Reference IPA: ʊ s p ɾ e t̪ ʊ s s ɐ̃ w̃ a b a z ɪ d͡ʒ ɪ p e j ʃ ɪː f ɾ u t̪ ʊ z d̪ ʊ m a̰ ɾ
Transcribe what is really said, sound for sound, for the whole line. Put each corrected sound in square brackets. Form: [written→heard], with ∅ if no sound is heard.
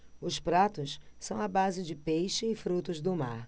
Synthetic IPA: ʊ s p ɾ [e→a] t̪ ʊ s s ɐ̃ w̃ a b a z ɪ d͡ʒ ɪ p e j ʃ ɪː f ɾ u t̪ ʊ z d̪ ʊ m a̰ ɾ